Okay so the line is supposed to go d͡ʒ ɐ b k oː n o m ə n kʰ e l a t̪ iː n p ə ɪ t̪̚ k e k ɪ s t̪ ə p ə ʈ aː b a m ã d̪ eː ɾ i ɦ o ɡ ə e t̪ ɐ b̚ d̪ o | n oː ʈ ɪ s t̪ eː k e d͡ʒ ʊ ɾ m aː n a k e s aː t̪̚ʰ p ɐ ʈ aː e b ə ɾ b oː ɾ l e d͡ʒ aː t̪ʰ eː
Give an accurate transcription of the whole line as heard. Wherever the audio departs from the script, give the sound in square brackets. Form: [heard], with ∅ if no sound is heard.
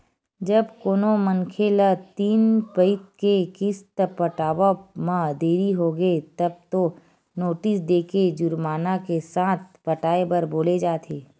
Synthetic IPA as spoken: d͡ʒ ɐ b k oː n o m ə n kʰ e l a t̪ iː n p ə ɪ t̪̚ k e k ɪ s t̪ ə p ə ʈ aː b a m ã d̪ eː ɾ i ɦ o ɡ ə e t̪ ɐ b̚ [t̪] o | n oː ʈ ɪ s [d̪] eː k e d͡ʒ ʊ ɾ m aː n a k e s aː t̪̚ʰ p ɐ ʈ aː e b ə ɾ b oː [∅] l e d͡ʒ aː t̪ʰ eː

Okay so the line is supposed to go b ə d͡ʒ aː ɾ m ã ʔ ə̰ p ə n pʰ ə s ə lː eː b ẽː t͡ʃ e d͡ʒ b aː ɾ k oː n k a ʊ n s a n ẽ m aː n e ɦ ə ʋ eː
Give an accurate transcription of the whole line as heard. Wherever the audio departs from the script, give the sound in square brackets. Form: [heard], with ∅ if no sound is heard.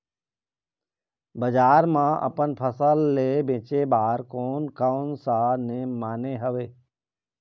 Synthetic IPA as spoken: b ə d͡ʒ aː ɾ m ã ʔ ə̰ p ə n pʰ ə s ə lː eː b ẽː t͡ʃ e [∅] b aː ɾ k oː n k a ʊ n s a n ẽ m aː n e ɦ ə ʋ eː

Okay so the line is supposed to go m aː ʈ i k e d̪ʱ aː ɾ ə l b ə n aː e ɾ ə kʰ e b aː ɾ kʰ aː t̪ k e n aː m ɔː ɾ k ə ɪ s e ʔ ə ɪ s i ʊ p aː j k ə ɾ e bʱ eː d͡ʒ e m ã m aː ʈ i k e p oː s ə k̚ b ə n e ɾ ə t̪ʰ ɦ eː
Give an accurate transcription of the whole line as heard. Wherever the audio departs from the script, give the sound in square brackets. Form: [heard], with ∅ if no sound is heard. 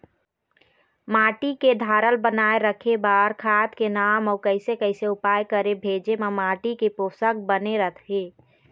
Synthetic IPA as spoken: m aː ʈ i k e d̪ʱ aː ɾ ə l b ə n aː e ɾ ə kʰ e b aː ɾ kʰ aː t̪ k e n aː m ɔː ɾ k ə ɪ s e [k] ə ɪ s [e] ʊ p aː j k ə ɾ e bʱ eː d͡ʒ e m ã m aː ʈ i k e p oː s ə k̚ b ə n e ɾ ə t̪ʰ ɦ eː

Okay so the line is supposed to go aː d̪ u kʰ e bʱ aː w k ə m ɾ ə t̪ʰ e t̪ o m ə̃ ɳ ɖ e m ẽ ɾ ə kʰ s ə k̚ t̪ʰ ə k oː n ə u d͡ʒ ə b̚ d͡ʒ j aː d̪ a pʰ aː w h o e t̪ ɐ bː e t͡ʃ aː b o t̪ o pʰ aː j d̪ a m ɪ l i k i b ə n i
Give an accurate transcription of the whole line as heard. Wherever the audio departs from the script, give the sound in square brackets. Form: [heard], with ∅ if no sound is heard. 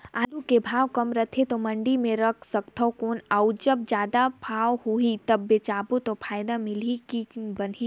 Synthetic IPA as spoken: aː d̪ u [k] e bʱ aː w k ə m ɾ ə t̪ʰ e t̪ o m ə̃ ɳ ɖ [i] m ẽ ɾ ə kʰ s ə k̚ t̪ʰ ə k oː n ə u d͡ʒ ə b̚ d͡ʒ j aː d̪ a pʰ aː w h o [i] t̪ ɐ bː e t͡ʃ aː b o t̪ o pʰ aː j d̪ a m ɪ l i k i b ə n i

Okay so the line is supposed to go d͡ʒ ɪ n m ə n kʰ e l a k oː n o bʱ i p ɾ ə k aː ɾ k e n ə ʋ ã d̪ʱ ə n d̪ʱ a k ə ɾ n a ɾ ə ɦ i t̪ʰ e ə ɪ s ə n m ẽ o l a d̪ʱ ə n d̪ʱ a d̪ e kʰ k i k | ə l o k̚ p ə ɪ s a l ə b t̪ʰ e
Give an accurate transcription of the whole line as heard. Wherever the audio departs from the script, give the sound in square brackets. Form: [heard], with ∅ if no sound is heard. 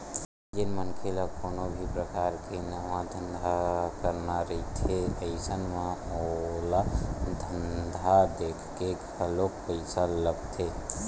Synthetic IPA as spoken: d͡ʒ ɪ n m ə n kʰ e l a k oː n o bʱ i p ɾ ə k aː ɾ k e n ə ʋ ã d̪ʱ ə n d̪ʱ a k ə ɾ n a ɾ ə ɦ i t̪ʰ e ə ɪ s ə n m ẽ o l a d̪ʱ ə n d̪ʱ a d̪ e kʰ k [e] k | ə l o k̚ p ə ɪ s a l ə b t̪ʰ e

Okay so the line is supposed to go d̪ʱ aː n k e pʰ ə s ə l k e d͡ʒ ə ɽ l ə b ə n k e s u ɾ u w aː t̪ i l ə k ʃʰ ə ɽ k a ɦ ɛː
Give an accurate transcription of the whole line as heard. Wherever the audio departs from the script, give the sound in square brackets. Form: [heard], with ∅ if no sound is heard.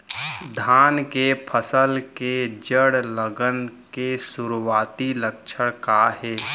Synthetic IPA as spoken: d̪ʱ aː n k e pʰ ə s ə l k e d͡ʒ ə ɽ l ə [ɡ] ə n k e s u ɾ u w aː t̪ i l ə k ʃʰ ə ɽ k a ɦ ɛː

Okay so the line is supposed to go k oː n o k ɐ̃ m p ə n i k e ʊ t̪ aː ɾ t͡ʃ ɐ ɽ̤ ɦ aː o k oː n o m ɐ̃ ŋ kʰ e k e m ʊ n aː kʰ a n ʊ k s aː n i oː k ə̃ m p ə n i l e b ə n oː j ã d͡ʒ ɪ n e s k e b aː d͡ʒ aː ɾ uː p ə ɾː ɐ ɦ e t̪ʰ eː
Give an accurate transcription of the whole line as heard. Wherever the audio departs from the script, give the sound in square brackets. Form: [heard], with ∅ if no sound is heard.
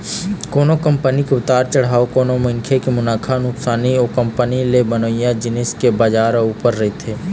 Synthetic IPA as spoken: k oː n o k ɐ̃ m p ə n i k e ʊ t̪ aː ɾ t͡ʃ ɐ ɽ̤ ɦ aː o k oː n o m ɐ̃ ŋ kʰ e k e m ʊ n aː kʰ a n ʊ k s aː n i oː k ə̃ m p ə n i l e b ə n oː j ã d͡ʒ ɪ n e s k e b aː d͡ʒ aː ɾ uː p ə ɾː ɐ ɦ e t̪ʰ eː

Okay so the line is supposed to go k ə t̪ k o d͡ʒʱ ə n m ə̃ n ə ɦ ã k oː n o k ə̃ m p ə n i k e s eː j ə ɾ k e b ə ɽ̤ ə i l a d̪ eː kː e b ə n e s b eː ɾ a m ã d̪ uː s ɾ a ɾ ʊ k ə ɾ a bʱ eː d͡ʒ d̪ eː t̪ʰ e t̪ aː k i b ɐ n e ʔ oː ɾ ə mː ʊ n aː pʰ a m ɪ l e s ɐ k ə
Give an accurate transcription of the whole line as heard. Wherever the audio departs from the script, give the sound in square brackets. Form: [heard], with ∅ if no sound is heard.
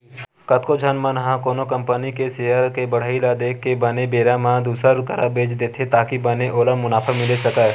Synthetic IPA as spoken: k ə t̪ k o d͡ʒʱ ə n m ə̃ n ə ɦ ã k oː n o k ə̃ m p ə n i k e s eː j ə ɾ k e b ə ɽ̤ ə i l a d̪ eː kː e b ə n e [∅] b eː ɾ a m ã d̪ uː s ɾ a ɾ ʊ k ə ɾ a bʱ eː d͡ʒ d̪ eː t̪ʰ e t̪ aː k i b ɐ n e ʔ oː [l] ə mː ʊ n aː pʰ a m ɪ l e s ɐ k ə

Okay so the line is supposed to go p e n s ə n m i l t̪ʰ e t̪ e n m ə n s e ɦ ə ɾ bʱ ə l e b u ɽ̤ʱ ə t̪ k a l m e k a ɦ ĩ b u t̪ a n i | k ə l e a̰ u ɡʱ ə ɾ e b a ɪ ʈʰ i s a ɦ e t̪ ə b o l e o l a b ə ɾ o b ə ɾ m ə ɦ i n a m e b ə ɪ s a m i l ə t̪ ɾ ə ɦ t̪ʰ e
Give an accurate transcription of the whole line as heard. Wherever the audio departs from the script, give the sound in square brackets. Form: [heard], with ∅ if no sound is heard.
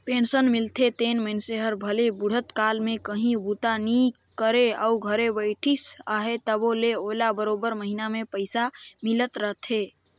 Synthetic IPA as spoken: p e n s ə n m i l t̪ʰ e t̪ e n m ə n s e ɦ ə ɾ bʱ ə l e b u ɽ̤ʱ ə t̪ k a l m e k [ə] ɦ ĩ b u t̪ a n i | k ə [ɾ] e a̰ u ɡʱ ə ɾ e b [ə] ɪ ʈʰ i s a ɦ e t̪ ə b o l e o l a b ə ɾ o b ə ɾ m ə ɦ i n a m e [p] ə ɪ s a m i l ə t̪ ɾ ə ɦ t̪ʰ e

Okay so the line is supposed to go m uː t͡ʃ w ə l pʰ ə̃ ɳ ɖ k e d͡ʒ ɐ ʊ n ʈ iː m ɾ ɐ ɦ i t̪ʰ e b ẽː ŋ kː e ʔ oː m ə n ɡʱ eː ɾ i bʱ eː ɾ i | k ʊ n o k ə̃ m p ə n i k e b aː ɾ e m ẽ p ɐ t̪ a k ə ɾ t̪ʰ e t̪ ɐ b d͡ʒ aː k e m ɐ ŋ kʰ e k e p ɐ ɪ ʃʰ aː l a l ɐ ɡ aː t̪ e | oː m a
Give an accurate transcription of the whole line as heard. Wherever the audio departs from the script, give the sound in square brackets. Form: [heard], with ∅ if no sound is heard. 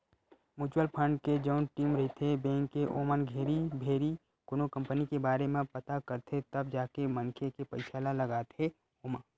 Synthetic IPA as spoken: m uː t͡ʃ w ə l pʰ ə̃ ɳ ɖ k e d͡ʒ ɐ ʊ n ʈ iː m ɾ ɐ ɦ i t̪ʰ e b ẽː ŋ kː e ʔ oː m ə n ɡʱ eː ɾ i bʱ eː ɾ i | k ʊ n o k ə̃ m p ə n i k e b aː ɾ e m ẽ p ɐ t̪ a k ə ɾ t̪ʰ e t̪ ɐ b d͡ʒ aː k e m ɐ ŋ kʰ e k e p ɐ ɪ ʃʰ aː l a l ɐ ɡ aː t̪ e | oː m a

